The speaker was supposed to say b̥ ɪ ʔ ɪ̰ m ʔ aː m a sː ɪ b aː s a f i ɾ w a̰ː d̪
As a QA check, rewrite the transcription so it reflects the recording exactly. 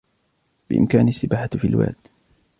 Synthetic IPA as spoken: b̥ ɪ ʔ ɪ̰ m k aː n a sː ɪ b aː ħ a f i l w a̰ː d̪